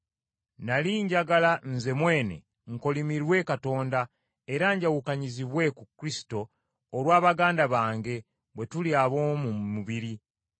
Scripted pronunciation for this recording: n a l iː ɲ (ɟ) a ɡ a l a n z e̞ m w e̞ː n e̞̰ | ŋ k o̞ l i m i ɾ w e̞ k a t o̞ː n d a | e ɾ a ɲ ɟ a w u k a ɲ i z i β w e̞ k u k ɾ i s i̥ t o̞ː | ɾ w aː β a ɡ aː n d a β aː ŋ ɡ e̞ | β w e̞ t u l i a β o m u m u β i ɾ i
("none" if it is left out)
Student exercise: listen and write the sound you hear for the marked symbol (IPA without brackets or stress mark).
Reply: ɟ